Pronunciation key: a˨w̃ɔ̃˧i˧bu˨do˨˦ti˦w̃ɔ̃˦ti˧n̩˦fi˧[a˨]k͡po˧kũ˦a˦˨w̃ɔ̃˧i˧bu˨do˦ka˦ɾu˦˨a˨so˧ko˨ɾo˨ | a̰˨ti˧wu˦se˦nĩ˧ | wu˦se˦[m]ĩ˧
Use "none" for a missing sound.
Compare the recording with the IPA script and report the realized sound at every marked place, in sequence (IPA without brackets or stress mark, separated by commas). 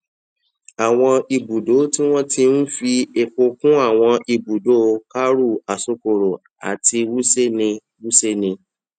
e˨, n